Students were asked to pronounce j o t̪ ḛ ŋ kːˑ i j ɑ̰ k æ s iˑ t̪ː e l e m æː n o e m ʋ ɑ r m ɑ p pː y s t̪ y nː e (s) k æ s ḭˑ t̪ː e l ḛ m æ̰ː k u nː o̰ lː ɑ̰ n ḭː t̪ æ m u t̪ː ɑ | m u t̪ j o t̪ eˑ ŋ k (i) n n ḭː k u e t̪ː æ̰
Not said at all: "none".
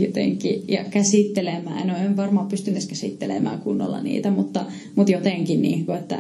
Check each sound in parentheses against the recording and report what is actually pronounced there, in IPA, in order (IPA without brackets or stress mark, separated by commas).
s, i